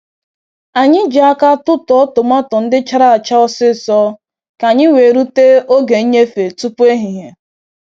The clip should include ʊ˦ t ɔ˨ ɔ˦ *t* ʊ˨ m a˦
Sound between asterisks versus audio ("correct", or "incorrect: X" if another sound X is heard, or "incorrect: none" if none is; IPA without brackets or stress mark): correct